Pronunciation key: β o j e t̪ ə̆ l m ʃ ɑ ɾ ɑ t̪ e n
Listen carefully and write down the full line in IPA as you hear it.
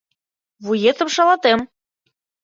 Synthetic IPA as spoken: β u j e t̪ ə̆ m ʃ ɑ l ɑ t̪ e m